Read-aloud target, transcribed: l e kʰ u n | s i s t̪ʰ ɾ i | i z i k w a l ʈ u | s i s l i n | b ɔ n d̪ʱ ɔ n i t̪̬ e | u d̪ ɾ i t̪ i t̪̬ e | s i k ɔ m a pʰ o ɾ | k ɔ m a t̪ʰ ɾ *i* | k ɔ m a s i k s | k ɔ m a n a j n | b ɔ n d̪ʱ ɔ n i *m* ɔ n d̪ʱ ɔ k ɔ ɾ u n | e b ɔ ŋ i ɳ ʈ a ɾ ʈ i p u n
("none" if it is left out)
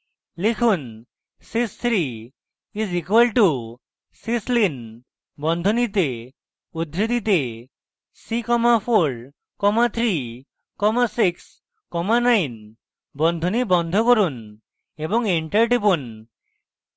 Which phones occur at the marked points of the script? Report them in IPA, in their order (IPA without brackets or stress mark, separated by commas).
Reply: i, b